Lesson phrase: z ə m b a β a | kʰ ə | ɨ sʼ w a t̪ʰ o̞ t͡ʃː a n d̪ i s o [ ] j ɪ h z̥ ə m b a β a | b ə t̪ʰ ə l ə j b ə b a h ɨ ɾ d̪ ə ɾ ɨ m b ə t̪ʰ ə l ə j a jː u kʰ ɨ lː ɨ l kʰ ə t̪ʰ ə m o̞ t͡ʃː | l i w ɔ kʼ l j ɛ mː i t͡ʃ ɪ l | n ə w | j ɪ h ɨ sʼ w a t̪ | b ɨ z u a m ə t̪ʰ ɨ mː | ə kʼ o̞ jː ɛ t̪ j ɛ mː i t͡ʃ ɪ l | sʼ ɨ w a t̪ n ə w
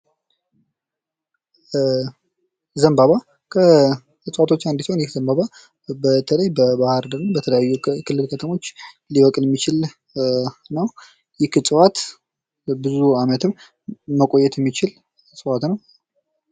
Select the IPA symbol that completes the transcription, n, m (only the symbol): n